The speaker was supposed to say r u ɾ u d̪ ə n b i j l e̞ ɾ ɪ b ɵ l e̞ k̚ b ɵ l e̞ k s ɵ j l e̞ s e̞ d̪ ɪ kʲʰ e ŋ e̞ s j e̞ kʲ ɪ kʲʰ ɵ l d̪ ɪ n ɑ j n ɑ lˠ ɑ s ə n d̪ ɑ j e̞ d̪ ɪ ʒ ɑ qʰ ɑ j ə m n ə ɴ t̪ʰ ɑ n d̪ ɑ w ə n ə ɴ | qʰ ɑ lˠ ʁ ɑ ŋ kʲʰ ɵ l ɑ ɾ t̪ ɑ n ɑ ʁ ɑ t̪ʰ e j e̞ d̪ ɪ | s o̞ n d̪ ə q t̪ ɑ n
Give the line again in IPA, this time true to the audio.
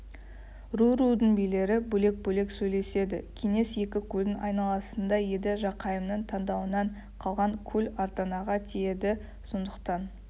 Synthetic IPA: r u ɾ u d̪ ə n b i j l e̞ ɾ ɪ b ɵ l e̞ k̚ b ɵ l e̞ k s ɵ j l e̞ s e̞ d̪ ɪ kʲʰ e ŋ e̞ s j e̞ kʲ ɪ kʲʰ ɵ l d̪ ɪ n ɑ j n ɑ lˠ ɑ s ə n d̪ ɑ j e̞ d̪ ɪ ʒ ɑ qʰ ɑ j ə m n ə ɴ t̪ʰ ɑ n d̪ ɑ w ə n ɑ ɴ | qʰ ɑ lˠ ʁ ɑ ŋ kʲʰ ɵ l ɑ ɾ t̪ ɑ n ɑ ʁ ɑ t̪ʰ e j e̞ d̪ ɪ | s o̞ n d̪ ə q t̪ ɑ n